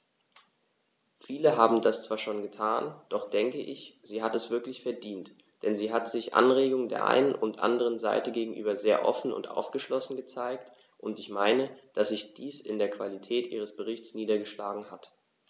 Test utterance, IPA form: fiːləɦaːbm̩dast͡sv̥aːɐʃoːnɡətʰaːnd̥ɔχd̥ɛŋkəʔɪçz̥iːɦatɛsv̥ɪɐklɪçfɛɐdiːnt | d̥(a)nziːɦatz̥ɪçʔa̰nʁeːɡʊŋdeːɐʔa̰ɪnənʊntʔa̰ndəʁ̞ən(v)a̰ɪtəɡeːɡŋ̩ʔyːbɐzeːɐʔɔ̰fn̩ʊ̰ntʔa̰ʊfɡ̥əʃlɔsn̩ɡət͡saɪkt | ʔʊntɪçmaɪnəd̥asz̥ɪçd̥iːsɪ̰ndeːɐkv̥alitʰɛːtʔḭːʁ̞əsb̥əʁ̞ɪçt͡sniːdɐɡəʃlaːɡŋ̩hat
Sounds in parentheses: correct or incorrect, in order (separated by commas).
incorrect, incorrect